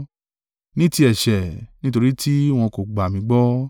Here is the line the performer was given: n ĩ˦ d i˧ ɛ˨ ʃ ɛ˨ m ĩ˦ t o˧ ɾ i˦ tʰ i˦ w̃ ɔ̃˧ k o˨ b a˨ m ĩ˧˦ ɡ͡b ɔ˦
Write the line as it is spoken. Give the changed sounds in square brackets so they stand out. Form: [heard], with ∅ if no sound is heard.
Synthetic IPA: n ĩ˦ [t] i˧ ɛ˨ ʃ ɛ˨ [n] ĩ˦ t o˧ ɾ i˦ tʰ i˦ w̃ ɔ̃˧ k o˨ [ɡ͡b] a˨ m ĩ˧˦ ɡ͡b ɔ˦